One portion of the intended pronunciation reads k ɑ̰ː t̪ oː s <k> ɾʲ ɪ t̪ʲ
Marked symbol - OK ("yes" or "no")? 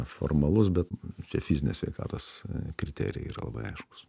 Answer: yes